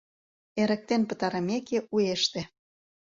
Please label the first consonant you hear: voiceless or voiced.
voiced